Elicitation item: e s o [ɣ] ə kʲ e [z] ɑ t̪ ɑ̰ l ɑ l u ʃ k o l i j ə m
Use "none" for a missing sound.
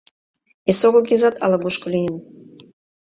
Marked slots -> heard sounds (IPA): ɣ, z

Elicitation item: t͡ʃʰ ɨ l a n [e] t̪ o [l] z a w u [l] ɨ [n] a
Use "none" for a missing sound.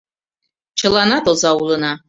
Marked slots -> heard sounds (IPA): a, none, l, n

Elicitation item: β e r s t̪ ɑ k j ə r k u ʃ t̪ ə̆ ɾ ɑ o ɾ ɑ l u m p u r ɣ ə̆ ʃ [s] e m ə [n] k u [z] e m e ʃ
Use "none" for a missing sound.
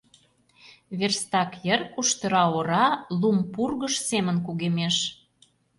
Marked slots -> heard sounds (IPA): s, n, ɣ

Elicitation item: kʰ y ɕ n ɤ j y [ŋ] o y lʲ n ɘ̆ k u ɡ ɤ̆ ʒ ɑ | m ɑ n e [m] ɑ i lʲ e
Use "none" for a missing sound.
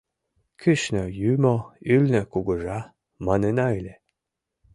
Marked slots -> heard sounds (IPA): m, n

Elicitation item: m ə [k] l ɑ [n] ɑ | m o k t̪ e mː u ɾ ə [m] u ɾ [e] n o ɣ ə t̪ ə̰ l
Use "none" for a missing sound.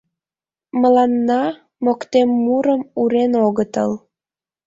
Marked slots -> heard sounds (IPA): none, nː, m, e

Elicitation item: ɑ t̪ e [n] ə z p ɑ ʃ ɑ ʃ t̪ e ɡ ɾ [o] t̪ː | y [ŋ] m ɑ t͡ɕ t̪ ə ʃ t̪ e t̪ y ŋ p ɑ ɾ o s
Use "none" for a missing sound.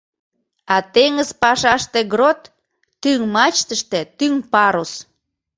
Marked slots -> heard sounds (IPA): ŋ, o, ŋ

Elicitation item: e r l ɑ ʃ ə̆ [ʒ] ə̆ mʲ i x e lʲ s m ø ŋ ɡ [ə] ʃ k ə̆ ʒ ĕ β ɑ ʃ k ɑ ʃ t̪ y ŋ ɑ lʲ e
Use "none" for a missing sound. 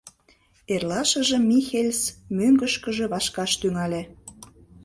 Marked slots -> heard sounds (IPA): ʒ, ə

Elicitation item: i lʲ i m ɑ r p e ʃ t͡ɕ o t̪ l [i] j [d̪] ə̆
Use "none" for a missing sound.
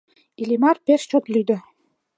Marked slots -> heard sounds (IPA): y, d̪

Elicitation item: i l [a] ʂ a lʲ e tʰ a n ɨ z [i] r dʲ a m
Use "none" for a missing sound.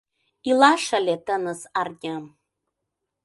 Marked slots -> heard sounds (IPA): a, a

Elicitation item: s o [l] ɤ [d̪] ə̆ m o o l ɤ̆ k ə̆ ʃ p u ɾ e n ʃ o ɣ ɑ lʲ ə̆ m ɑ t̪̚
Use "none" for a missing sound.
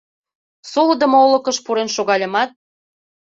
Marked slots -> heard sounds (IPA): l, d̪

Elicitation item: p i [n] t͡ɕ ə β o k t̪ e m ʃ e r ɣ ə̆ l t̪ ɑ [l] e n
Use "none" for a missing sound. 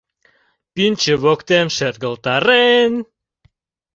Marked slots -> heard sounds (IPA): n, ɾ

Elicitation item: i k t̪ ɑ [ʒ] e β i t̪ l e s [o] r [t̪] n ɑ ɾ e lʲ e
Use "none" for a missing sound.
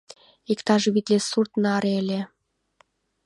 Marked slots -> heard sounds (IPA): ʒ, u, t̪

